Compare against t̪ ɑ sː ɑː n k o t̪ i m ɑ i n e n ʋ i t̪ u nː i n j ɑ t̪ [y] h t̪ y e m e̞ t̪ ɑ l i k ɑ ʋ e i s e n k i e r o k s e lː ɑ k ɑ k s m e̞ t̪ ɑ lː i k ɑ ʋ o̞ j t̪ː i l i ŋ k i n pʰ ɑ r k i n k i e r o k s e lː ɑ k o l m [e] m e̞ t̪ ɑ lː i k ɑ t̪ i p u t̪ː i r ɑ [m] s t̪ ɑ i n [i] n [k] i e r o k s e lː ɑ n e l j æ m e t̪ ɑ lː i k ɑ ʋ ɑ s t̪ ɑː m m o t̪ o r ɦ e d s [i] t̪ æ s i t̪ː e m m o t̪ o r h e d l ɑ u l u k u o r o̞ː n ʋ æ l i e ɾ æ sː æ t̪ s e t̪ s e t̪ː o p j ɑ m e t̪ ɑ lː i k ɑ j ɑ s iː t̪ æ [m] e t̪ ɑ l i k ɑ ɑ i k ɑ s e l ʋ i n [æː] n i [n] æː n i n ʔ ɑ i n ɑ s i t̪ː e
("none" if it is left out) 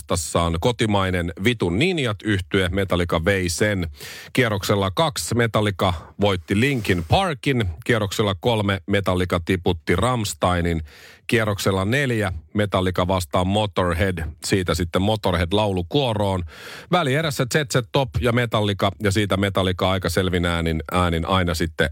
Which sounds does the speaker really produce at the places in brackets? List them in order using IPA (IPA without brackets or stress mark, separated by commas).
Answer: y, e, m, i, k, iː, m, æː, n